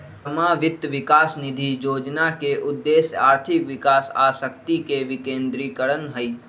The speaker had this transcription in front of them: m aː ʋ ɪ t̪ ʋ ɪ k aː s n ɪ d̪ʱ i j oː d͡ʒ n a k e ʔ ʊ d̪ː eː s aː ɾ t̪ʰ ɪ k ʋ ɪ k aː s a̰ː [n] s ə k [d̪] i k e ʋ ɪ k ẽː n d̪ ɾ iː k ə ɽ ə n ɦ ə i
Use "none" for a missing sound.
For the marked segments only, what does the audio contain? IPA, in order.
none, t̪

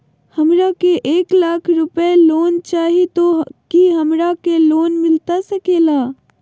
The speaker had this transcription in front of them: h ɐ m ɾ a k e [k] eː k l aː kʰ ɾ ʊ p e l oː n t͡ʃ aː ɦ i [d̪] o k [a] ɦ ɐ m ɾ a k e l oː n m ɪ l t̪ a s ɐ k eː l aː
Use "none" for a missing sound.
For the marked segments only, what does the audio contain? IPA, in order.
ʔ, t̪, i

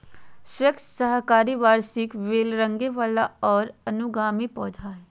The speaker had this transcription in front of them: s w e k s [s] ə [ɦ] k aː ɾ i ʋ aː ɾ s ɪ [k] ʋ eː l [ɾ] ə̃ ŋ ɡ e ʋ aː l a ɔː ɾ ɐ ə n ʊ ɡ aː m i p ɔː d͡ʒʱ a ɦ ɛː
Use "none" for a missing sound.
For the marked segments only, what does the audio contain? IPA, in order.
s, ɦ, k, ɾ

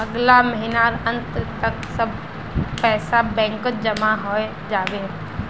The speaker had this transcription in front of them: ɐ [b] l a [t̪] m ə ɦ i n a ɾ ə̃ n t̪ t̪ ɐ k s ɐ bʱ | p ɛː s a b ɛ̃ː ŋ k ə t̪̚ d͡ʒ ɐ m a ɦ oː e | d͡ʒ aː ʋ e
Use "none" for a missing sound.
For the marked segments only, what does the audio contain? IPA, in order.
ɡ, none

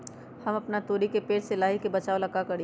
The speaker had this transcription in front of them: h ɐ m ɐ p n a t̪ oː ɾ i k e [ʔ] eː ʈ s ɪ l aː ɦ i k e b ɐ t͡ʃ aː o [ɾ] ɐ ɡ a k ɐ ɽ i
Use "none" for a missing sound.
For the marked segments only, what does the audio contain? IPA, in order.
p, l

